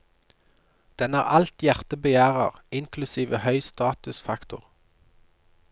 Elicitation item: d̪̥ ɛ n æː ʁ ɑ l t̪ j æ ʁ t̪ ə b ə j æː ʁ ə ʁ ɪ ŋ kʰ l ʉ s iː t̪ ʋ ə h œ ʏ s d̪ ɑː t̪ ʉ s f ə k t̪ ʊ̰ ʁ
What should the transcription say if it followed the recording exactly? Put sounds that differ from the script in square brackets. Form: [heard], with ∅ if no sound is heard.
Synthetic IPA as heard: d̪̥ ɛ n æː ʁ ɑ l t̪ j æ ʁ t̪ ə b ə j æː ʁ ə ʁ ɪ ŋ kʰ l ʉ s iː [∅] ʋ ə h œ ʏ s [t̪] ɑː t̪ ʉ s f [ɑ] k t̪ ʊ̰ ʁ